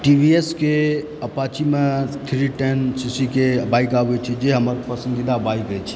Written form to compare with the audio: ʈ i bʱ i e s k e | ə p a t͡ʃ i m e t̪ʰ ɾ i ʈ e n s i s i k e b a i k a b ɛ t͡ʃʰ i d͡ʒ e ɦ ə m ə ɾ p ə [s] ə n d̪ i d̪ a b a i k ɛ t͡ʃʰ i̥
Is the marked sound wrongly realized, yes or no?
no